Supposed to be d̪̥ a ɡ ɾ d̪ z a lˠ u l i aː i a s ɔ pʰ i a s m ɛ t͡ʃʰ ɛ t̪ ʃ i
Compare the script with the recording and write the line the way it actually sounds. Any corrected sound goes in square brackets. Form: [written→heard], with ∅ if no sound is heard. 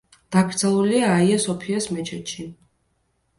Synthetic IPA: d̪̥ a ɡ ɾ d̪ z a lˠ u l i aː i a s ɔ pʰ i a s m ɛ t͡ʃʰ ɛ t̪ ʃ i